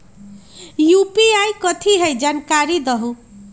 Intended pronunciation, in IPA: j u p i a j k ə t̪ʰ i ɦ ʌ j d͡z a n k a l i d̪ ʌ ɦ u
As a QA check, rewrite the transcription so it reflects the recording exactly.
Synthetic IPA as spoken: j u p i a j k ʌ t̪ʰ i ɦ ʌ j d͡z a n k a ɾ i d̪ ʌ ɦ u